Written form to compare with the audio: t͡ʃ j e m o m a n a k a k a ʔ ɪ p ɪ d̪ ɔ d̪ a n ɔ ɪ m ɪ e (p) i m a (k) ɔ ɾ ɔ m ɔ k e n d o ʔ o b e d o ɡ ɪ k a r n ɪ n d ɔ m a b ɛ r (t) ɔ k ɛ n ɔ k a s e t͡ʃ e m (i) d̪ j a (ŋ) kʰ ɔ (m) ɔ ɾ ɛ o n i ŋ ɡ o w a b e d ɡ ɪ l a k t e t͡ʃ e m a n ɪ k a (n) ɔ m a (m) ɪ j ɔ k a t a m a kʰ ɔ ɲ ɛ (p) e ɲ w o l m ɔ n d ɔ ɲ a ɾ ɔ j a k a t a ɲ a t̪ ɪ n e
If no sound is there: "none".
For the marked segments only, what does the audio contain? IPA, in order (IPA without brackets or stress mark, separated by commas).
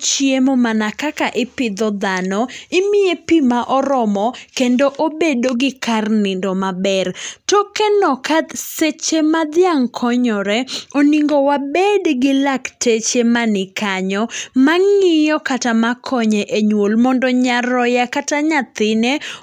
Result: p, ʔ, t, a, ŋ, ɲ, ɲ, ŋ, ʔ